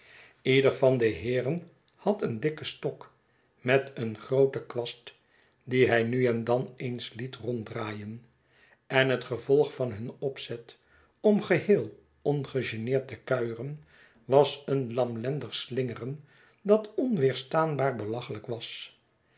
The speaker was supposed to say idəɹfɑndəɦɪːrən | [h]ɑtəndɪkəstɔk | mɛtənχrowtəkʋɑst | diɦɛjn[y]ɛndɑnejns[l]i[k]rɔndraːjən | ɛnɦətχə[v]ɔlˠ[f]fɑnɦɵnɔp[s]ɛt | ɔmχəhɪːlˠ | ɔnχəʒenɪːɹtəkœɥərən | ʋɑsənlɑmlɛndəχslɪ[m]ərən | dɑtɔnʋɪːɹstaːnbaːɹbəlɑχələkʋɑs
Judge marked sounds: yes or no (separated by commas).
yes, yes, yes, no, yes, no, yes, no